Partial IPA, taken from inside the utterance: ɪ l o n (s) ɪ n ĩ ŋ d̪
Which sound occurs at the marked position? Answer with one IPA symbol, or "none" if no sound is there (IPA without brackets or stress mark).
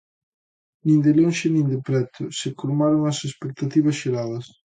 ʃ